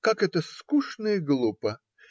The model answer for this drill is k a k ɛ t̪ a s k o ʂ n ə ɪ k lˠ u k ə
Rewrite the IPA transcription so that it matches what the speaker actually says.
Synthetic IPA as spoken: k a k ɛ t̪ ə s k u ʂ n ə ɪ ɡ lˠ u p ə